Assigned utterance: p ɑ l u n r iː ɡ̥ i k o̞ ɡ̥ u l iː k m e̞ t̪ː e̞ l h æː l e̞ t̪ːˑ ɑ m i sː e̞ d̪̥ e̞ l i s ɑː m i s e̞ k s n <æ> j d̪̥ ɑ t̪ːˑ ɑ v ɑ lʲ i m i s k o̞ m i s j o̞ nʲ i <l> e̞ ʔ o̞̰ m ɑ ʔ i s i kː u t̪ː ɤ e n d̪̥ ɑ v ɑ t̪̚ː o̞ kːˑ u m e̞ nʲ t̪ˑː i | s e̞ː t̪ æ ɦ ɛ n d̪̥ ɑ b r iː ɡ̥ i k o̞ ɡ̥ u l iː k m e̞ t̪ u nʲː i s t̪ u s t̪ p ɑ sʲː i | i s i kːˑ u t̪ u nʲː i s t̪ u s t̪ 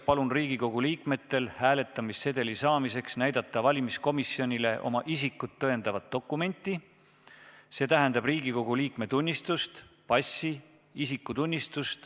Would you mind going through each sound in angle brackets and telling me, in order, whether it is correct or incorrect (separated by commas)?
correct, correct